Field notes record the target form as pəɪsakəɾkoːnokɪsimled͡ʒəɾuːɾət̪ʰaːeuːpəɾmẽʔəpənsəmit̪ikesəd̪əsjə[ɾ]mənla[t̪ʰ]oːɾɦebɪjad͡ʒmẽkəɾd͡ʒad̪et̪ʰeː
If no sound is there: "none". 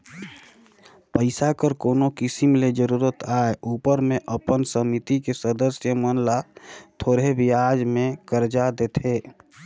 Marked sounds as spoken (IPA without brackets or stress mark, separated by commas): none, t̪ʰ